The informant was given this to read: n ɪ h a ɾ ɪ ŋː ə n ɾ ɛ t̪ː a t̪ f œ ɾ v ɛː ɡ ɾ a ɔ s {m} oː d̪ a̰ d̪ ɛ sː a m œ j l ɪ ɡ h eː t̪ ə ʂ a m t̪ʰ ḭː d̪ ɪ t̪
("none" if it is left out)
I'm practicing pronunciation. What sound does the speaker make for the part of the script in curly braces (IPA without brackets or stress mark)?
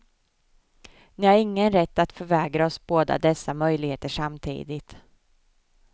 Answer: b